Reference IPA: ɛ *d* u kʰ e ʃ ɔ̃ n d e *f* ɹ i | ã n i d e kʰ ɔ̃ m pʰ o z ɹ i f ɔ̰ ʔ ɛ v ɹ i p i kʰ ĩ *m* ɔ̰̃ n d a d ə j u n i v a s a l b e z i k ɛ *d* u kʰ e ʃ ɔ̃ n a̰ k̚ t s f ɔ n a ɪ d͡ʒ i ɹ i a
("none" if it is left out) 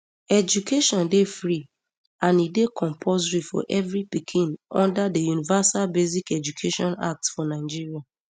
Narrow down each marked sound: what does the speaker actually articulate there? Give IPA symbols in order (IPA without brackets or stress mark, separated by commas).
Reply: d͡ʒ, f, n, d͡ʒ